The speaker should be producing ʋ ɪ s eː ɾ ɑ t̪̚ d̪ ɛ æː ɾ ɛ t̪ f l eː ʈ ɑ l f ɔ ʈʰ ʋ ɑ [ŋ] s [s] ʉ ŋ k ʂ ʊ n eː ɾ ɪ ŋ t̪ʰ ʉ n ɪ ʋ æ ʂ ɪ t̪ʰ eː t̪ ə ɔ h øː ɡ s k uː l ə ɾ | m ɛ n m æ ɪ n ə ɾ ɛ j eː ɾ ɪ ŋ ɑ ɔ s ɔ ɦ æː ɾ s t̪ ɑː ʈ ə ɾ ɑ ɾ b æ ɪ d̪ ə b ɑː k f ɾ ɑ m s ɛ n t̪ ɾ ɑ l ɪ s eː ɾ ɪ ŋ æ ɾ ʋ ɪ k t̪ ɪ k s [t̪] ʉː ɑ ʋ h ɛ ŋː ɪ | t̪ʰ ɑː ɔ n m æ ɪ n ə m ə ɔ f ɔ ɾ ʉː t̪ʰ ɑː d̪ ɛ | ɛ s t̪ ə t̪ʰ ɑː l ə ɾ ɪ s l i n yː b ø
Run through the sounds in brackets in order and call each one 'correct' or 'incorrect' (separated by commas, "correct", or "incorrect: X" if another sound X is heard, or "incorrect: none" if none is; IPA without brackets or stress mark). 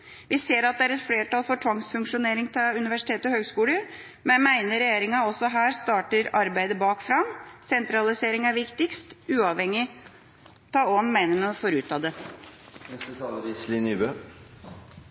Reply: correct, incorrect: f, correct